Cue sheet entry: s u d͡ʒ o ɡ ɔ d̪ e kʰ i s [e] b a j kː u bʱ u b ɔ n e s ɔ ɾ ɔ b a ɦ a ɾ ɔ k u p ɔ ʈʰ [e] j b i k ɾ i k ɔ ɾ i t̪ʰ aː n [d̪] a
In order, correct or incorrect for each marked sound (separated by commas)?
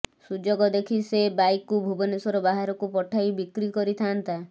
correct, incorrect, incorrect